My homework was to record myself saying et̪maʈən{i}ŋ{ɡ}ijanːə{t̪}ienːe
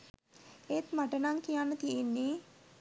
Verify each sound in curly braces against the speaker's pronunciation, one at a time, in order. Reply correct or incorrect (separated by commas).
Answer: incorrect, incorrect, correct